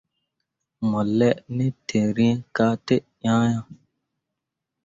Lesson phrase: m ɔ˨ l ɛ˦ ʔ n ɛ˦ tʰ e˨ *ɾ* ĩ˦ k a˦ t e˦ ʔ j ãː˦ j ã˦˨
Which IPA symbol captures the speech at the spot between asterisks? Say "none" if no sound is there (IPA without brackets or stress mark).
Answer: ɾ